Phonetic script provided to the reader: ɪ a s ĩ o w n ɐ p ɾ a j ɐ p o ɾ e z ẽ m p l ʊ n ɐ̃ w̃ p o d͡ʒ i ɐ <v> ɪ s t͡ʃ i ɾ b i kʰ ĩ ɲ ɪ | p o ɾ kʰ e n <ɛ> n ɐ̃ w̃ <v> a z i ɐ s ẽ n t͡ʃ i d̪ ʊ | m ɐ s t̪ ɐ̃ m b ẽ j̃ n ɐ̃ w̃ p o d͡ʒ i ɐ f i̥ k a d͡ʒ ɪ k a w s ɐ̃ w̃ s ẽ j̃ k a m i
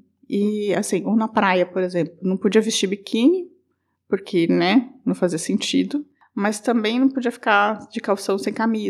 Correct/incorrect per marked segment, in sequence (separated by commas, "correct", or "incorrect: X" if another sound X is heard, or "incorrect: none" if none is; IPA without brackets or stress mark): correct, correct, incorrect: f